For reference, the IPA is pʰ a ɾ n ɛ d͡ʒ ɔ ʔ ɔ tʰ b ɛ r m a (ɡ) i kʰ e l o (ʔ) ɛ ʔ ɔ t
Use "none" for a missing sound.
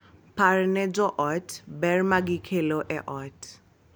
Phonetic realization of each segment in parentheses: ɡ, ʔ

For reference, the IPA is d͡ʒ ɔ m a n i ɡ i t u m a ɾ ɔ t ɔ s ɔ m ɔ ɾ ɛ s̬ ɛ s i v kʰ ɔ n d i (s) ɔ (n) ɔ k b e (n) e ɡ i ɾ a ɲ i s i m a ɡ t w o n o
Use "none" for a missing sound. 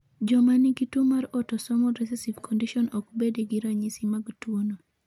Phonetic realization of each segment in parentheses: ʃ, n, d

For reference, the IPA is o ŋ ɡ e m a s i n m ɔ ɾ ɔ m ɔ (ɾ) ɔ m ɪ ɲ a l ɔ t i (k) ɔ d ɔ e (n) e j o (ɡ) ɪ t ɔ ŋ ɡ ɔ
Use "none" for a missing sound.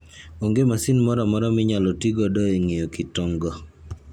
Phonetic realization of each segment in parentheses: ɾ, ɡ, ŋ, k

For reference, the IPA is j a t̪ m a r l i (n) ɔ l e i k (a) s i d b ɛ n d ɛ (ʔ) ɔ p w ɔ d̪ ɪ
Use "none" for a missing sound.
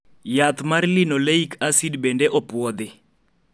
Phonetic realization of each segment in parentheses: n, a, ʔ

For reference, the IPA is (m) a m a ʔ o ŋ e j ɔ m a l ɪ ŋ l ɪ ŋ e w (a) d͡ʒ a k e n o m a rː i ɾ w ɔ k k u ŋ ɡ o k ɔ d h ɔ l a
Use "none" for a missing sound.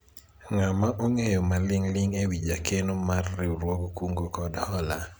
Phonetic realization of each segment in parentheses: ŋ, i

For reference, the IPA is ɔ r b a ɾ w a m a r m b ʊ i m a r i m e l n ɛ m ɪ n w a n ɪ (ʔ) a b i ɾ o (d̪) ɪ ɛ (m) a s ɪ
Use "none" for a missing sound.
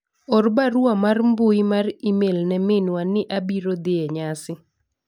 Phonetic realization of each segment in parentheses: ʔ, d̪, ɲ

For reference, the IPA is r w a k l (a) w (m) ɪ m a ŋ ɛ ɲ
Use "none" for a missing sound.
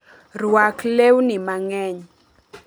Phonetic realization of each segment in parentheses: e, n

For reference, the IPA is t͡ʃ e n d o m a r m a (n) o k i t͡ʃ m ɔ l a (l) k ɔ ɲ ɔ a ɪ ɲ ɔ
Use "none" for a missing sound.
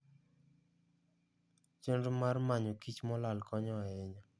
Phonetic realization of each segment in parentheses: ɲ, l

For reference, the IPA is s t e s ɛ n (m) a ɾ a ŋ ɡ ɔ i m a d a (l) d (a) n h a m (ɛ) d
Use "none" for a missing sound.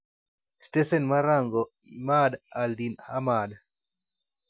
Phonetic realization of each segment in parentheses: m, l, i, a

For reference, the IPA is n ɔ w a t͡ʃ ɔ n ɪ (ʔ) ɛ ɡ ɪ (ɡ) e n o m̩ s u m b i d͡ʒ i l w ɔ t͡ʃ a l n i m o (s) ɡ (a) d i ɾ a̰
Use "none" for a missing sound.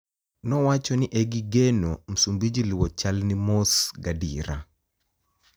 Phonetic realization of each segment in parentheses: ʔ, ɡ, s, a

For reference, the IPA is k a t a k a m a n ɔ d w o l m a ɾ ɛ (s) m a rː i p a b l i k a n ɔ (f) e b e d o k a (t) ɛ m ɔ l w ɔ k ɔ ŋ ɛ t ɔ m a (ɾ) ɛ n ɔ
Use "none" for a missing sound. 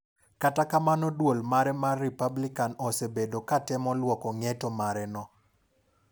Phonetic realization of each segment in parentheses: none, s, t, ɾ

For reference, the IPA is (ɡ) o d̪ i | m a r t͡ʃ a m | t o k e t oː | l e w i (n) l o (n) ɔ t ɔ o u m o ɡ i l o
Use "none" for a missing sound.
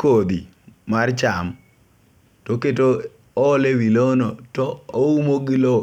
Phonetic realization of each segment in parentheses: k, none, n

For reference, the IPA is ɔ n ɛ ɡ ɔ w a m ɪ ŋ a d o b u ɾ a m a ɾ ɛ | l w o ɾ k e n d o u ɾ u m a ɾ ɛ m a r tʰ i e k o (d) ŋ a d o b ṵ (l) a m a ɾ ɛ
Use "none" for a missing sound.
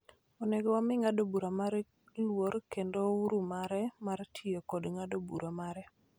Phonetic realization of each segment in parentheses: d, ɾ

